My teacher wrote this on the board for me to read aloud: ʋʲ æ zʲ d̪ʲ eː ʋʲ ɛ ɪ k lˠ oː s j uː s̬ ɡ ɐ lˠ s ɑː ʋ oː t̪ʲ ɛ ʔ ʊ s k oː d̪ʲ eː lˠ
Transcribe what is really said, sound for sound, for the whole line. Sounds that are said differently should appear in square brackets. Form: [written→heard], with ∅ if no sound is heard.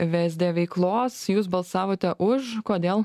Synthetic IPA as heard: ʋʲ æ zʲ d̪ʲ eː ʋʲ ɛ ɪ k lˠ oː s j uː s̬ [ɡ→b] ɐ lˠ s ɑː ʋ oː t̪ʲ ɛ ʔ ʊ [s→ʃ] k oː d̪ʲ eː lˠ